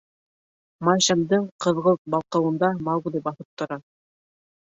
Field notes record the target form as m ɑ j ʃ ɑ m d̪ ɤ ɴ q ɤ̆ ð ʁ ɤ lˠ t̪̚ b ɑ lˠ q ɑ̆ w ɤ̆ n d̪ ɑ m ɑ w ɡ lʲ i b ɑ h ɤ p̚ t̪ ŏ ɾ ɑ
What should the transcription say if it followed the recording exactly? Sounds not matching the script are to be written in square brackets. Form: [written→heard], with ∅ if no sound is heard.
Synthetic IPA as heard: m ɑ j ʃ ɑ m d̪ ɤ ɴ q ɤ̆ ð ʁ ɤ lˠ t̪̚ b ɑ lˠ q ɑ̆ w ɤ̆ n d̪ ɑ m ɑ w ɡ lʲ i b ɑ [h→θ] ɤ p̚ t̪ ŏ ɾ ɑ